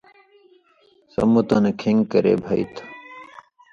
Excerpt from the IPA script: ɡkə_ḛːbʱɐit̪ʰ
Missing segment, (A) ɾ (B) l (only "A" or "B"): A